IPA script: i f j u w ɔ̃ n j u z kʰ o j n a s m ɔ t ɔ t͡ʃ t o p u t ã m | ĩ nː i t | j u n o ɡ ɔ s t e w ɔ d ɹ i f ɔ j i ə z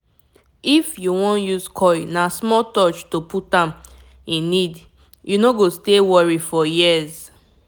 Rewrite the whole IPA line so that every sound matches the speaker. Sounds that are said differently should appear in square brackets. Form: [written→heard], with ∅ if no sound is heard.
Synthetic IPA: i f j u w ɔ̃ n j u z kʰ [o→ɔ] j n a s m ɔ t ɔ t͡ʃ t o p u t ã m | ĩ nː i [t→d] | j u n o ɡ [ɔ→o] s t e w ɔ [d→∅] ɹ i f ɔ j i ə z